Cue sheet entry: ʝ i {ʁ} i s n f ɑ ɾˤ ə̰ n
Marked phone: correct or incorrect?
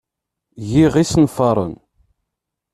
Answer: correct